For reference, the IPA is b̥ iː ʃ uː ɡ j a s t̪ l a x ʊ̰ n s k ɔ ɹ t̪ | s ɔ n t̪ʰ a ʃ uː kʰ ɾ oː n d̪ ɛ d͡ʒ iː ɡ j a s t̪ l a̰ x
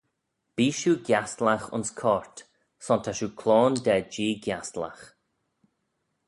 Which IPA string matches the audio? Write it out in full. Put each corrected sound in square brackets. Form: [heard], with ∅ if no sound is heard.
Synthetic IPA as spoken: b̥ iː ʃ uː ɡ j a s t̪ l a x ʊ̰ n s [kʰ] ɔ ɹ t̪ | s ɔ n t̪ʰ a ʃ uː kʰ [l] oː n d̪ ɛ d͡ʒ iː ɡ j a s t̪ l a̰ x